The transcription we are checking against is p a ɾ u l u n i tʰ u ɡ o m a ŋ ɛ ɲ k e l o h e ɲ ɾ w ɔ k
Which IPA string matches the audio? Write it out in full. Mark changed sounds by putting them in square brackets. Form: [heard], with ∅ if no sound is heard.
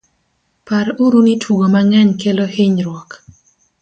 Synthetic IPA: p a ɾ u [ɾ] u n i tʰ u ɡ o m a ŋ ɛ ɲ k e l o h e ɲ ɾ w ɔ k